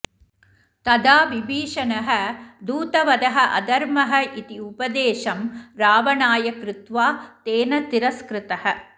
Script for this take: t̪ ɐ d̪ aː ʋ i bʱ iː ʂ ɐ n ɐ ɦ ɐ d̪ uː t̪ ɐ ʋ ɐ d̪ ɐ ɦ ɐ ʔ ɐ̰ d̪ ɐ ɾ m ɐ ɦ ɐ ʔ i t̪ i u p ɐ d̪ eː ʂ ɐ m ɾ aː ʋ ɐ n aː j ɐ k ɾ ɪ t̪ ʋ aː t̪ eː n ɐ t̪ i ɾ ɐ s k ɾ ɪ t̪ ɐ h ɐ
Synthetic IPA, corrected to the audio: t̪ ɐ d̪ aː ʋ i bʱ iː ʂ ɐ n ɐ ɦ ɐ d̪ uː t̪ ɐ ʋ ɐ d̪ ɐ ɦ ɐ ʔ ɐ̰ d̪ ɐ ɾ m ɐ ɦ ɐ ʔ i t̪ i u p ɐ d̪ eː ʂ ɐ m ɾ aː ʋ ɐ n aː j ɐ k ɾ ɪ t̪ ʋ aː t̪ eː n ɐ t̪ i ɾ ɐ s k ɾ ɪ t̪ ɐ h ɐ